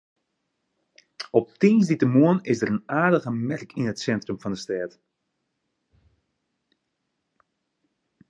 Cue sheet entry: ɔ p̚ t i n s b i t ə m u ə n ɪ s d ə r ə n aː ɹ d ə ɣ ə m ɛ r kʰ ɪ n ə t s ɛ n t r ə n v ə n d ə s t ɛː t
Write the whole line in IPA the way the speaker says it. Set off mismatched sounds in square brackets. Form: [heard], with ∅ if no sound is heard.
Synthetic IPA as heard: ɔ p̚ t i n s [d] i t ə m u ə n ɪ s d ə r ə n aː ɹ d ə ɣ ə m ɛ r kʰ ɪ n ə t s ɛ n t r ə [m] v [ɑ] n d ə s t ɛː t